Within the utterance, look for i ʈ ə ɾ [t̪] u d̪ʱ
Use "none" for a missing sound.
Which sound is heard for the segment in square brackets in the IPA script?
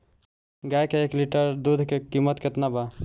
d̪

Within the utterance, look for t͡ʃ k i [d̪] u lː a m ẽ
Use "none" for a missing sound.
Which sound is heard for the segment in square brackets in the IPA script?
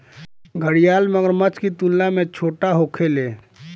t̪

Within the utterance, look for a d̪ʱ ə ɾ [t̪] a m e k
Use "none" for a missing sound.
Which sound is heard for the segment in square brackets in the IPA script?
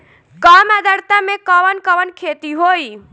t̪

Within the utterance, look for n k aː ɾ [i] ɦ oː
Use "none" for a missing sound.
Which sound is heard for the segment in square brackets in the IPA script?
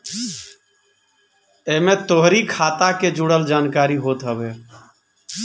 i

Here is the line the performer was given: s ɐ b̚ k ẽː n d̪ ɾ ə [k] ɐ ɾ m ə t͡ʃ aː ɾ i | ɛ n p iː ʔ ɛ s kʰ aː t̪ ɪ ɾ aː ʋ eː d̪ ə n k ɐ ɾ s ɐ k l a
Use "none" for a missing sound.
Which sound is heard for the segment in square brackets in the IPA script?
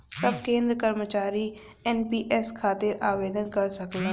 k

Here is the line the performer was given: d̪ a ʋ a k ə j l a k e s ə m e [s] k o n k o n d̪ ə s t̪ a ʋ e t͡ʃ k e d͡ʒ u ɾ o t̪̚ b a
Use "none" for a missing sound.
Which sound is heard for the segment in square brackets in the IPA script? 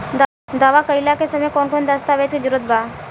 none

